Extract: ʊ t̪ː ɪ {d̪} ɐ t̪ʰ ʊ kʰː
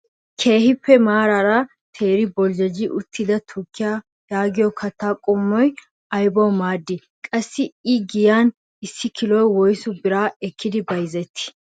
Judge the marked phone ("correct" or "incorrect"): correct